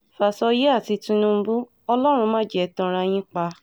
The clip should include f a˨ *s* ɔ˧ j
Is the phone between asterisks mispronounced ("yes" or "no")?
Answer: no